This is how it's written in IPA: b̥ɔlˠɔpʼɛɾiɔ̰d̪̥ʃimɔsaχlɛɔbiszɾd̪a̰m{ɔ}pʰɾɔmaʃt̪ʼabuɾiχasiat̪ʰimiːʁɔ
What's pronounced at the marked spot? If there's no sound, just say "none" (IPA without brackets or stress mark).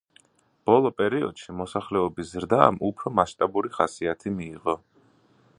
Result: u